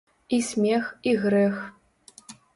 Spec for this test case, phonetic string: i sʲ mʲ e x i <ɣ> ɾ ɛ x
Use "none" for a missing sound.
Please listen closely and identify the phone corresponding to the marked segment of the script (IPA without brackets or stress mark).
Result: ɣ